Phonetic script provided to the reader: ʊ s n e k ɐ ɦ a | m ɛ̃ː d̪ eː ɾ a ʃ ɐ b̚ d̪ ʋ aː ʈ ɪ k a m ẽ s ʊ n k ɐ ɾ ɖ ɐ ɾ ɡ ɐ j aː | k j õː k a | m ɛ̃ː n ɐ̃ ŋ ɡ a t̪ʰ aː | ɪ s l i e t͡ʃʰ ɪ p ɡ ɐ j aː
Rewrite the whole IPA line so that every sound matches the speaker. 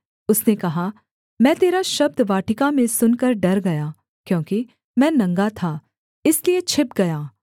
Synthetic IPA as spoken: ʊ s n e k ɐ ɦ a | m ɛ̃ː t̪ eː ɾ a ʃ ɐ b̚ d̪ ʋ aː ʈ ɪ k a m ẽ s ʊ n k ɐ ɾ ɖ ɐ ɾ ɡ ɐ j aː | k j õː k i | m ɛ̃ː n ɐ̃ ŋ ɡ a t̪ʰ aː | ɪ s l i e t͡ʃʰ ɪ p ɡ ɐ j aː